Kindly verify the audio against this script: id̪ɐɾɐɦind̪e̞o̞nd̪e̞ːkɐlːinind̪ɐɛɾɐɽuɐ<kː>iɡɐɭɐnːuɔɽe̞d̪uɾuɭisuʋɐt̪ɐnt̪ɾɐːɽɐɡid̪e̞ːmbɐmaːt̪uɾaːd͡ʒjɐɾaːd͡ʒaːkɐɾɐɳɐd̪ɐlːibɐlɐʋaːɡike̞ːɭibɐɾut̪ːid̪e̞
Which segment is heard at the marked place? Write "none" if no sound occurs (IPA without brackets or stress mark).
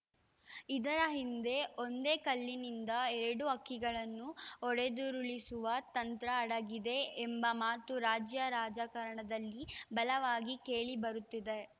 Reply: kː